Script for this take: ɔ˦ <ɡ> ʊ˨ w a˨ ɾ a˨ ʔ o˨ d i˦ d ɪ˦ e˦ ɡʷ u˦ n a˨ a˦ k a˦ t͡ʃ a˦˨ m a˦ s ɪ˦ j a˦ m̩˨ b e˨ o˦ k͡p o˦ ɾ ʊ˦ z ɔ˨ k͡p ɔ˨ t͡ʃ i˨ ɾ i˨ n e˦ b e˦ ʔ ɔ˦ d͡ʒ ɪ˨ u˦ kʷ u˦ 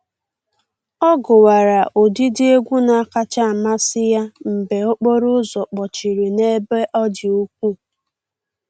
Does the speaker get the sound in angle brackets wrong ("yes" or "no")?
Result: no